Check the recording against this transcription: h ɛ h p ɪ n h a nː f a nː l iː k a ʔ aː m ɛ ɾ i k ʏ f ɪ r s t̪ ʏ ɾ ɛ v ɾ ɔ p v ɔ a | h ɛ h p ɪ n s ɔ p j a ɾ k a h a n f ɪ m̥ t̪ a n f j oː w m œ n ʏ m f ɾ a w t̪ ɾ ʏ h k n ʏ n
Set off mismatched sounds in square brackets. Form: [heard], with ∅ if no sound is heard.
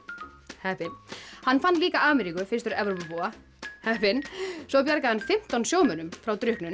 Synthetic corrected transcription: h ɛ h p ɪ n h a nː f a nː l iː k a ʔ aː m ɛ ɾ i k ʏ f ɪ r s t̪ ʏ ɾ ɛ v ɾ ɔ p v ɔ a | h ɛ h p ɪ n s ɔ p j a ɾ k a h a n f ɪ m̥ t̪ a n [s] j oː w m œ n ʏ m f ɾ a w t̪ ɾ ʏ h k n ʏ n